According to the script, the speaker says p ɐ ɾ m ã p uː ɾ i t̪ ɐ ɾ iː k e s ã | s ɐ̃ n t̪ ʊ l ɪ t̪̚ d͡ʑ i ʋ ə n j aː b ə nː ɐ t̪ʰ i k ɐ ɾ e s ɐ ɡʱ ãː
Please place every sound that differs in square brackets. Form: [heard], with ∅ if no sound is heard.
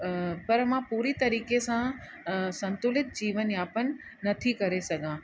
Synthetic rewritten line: p ɐ ɾ m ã p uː ɾ i t̪ ɐ ɾ iː k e s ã | s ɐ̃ n t̪ ʊ l ɪ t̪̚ d͡ʑ [iː] ʋ ə n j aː [p] ə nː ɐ t̪ʰ i k ɐ ɾ e s ɐ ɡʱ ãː